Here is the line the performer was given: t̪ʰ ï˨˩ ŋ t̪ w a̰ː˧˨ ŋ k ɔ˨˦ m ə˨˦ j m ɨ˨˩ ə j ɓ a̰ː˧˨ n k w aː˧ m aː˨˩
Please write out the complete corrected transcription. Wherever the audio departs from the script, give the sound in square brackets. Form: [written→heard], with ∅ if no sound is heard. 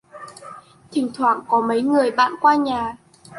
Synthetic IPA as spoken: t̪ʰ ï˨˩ ŋ [t̪→t̪ʰ] w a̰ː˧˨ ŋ k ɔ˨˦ m ə˨˦ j [m→ŋ] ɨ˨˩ ə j ɓ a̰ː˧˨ n k w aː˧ [m→ɲ] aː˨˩